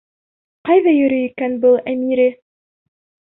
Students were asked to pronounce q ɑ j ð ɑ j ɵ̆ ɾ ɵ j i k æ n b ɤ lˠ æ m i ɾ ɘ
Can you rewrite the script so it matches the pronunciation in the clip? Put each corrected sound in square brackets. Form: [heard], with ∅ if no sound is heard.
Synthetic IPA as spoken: q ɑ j ð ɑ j ɵ̆ ɾ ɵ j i k æ n b ɤ lˠ æ m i ɾ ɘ